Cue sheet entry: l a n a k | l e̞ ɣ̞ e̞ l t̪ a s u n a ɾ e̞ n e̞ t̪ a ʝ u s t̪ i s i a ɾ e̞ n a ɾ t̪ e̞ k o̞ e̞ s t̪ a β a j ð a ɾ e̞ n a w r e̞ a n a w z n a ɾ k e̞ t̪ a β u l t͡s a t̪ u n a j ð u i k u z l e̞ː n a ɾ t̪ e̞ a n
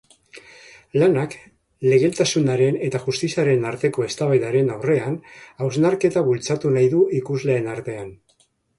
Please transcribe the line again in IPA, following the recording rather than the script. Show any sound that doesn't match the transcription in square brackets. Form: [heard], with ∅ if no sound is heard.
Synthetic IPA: l a n a k | l e̞ ɣ̞ e̞ l t̪ a s u n a ɾ e̞ n e̞ t̪ a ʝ u s t̪ i s i a ɾ e̞ n a ɾ t̪ e̞ k o̞ e̞ s t̪ a β a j ð a ɾ e̞ n a w r e̞ a n a w z n a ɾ k e̞ t̪ a β u l t͡s a t̪ u n a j ð u i k u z l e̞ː n a ɾ t̪ e̞ a n